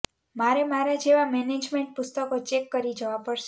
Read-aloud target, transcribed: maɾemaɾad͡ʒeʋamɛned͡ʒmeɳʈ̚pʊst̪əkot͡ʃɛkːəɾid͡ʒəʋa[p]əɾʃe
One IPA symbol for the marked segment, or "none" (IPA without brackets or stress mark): p